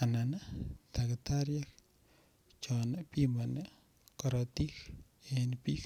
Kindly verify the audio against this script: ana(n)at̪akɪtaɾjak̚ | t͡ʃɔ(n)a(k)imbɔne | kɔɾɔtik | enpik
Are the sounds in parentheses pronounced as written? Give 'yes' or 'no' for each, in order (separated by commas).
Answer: yes, yes, no